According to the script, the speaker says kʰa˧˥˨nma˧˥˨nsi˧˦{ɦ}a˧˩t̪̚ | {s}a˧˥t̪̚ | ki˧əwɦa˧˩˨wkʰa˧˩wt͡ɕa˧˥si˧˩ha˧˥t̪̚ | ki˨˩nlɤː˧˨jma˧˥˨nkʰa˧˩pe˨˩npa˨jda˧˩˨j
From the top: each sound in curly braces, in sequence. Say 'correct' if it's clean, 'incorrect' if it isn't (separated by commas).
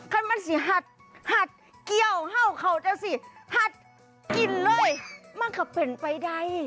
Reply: correct, incorrect